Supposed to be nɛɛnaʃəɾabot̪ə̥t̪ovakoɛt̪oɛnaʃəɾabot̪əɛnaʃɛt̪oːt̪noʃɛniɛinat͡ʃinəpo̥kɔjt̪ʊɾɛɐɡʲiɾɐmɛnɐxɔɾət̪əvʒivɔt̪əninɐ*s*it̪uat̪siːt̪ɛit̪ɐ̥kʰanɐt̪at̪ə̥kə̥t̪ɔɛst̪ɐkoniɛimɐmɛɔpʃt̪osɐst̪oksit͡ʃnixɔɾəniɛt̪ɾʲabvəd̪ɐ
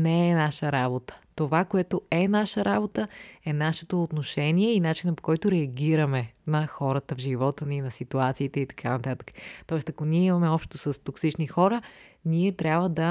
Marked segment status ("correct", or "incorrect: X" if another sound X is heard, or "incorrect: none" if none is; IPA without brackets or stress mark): correct